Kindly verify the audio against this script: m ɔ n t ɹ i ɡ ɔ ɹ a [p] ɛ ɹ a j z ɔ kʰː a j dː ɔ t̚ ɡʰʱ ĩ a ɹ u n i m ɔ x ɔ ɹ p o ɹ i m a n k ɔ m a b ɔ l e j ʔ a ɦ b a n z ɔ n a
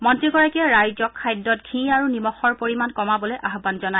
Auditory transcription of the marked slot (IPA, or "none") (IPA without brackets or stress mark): k